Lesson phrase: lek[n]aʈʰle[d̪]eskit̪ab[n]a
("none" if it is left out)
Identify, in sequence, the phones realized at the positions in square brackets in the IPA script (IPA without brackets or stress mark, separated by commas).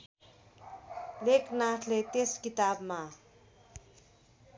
n, t̪, m